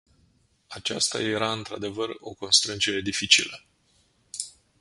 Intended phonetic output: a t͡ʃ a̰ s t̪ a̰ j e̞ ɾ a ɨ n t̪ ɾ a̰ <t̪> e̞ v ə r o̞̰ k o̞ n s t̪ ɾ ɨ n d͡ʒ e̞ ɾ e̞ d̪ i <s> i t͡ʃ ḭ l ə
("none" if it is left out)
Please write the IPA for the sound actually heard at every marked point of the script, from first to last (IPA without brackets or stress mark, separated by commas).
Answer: d̪, f